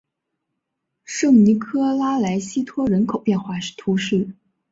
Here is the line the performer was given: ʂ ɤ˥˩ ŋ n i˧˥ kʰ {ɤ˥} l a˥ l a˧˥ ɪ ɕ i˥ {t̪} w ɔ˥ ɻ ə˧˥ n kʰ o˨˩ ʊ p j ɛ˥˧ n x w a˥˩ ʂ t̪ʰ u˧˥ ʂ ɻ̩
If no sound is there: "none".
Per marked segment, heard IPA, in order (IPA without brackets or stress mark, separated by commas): ɤ˥, t̪ʰ